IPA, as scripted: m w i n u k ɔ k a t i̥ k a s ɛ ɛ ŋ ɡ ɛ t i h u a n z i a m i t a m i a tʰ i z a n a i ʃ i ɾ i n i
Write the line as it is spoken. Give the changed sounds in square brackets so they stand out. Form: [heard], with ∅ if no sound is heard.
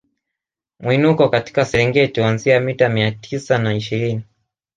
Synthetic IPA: m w i n u k ɔ k a t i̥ k a s ɛ ɛ ŋ ɡ ɛ t i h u a n z i a m i t a m i a tʰ i [s] a n a i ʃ i ɾ i n i